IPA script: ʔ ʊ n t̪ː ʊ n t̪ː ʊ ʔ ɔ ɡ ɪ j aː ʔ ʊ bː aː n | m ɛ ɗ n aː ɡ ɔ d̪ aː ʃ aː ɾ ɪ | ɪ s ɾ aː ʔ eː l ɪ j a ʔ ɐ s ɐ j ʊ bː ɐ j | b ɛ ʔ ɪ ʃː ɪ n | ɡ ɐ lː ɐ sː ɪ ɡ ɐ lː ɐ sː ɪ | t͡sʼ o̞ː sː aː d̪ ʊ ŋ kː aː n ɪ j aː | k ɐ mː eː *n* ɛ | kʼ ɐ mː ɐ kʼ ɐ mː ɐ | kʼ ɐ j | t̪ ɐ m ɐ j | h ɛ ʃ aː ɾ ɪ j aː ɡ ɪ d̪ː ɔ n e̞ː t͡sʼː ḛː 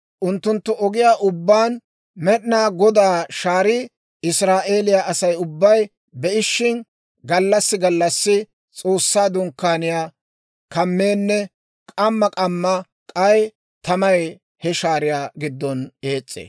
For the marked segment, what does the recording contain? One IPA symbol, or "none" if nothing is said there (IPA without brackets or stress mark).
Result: nː